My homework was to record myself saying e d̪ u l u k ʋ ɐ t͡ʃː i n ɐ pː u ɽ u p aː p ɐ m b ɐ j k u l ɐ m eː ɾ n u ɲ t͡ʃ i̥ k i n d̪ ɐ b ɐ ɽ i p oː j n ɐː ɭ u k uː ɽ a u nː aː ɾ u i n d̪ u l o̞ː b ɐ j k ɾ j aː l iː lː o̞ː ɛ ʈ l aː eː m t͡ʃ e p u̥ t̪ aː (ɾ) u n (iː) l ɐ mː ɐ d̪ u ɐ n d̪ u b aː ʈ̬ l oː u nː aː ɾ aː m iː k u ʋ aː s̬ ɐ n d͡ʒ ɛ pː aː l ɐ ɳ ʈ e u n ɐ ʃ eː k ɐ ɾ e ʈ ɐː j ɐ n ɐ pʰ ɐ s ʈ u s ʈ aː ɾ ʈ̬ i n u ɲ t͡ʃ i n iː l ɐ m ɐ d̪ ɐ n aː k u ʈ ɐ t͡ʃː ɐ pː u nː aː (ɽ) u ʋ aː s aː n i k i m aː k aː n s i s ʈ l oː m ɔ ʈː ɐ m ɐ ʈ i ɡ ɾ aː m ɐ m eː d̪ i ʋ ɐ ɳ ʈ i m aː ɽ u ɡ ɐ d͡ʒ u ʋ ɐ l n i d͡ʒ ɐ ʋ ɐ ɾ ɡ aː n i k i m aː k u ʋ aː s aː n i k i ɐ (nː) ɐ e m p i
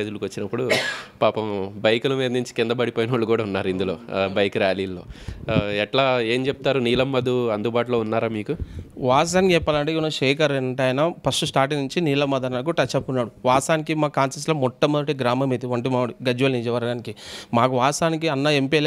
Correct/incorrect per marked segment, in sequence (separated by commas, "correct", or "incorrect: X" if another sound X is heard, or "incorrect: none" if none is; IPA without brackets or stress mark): correct, correct, correct, correct